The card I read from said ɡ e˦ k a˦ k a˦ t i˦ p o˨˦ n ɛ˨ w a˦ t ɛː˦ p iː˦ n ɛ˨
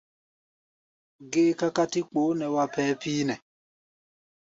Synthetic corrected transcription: ɡ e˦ k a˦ k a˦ t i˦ k͡p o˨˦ n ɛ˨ w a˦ p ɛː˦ p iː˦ n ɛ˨